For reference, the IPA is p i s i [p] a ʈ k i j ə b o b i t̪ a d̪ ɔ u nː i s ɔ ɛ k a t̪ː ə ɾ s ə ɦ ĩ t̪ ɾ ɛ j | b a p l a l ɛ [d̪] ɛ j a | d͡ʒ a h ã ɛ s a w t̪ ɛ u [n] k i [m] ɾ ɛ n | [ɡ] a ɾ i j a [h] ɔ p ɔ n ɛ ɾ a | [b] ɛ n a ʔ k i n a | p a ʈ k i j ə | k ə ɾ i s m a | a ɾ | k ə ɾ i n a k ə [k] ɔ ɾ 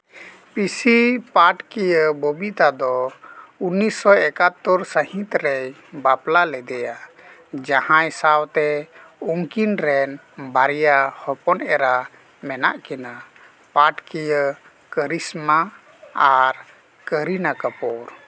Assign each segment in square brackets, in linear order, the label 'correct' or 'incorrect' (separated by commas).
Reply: correct, correct, incorrect, incorrect, incorrect, correct, incorrect, incorrect